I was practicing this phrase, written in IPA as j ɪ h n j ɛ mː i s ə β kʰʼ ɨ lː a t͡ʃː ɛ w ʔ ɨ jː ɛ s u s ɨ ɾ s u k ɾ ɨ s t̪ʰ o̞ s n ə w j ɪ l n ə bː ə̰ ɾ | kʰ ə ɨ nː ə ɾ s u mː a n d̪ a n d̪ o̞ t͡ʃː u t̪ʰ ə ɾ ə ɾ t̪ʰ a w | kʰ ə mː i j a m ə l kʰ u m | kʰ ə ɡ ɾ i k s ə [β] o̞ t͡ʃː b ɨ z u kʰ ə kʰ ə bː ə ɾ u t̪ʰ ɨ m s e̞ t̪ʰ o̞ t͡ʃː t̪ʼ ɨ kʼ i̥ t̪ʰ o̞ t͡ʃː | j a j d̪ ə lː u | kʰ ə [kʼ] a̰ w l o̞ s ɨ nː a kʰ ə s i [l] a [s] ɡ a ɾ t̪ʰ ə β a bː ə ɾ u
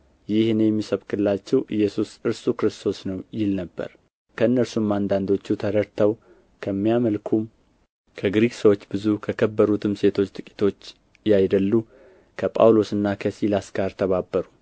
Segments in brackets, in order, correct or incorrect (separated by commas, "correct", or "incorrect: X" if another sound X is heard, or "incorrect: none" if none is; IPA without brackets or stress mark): incorrect: w, incorrect: pʼ, correct, correct